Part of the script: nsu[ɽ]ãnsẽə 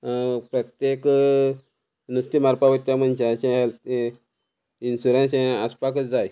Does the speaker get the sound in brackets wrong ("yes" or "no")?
yes